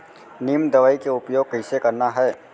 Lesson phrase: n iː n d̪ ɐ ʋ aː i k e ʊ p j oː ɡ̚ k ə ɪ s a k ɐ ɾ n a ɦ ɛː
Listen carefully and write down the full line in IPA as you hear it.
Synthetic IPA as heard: n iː m d̪ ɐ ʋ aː i k e ʊ p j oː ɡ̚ k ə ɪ s e k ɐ ɾ n a ɦ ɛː